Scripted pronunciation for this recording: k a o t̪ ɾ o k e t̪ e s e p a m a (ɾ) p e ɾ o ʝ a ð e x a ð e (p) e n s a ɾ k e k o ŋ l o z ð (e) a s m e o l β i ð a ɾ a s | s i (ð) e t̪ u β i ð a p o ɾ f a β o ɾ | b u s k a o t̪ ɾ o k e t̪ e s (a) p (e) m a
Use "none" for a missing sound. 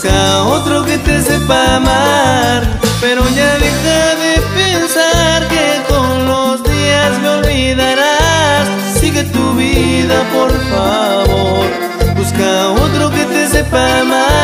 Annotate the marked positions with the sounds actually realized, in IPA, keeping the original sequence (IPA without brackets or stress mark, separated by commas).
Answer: ɾ, p, i, ɣ, e, a